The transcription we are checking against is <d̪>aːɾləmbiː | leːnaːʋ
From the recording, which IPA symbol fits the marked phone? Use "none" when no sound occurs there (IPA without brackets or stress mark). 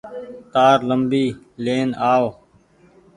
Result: t̪